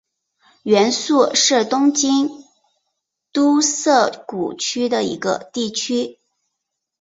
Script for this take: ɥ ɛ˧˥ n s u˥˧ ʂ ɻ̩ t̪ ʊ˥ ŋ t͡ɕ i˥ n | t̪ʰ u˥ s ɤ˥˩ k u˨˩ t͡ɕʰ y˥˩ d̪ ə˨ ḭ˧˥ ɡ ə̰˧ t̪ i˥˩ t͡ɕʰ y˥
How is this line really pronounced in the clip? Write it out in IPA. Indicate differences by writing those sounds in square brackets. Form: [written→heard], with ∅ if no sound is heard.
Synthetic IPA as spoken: ɥ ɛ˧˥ n s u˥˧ ʂ ɻ̩ t̪ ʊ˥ ŋ t͡ɕ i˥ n | [t̪ʰ→t̪] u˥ s ɤ˥˩ k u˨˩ t͡ɕʰ [y˥˩→y˥] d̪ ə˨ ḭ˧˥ ɡ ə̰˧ t̪ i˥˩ t͡ɕʰ y˥